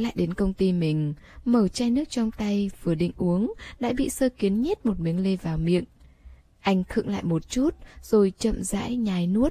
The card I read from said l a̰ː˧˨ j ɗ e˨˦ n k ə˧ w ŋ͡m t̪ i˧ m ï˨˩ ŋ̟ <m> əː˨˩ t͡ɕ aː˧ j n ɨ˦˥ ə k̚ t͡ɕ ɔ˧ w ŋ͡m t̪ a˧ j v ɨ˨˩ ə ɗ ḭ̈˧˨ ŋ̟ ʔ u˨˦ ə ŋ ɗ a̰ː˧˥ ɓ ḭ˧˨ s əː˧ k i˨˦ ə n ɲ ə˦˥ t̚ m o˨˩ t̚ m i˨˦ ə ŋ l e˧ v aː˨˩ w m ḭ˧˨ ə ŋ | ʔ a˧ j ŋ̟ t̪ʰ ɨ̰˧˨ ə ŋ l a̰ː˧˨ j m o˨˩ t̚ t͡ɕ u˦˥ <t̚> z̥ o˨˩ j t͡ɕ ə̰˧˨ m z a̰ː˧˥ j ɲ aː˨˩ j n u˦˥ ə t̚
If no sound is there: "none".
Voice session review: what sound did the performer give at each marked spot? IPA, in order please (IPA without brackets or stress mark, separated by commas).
m, t̚